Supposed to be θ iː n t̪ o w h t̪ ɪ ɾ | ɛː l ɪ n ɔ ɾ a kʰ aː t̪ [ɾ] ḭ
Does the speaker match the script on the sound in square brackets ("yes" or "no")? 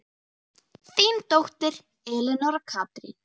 yes